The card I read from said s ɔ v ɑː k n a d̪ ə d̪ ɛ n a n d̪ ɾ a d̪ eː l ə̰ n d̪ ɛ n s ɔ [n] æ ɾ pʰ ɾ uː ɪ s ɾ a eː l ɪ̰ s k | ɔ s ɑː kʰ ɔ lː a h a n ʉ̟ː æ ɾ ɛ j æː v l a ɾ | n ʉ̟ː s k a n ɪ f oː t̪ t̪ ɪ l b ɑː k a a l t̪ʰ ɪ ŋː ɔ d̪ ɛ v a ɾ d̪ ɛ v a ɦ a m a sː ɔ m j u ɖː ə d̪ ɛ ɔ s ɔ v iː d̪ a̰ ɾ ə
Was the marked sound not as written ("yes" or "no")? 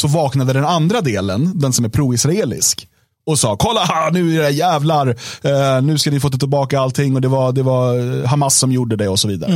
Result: yes